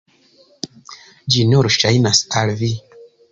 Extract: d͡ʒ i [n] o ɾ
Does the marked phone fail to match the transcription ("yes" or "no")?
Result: no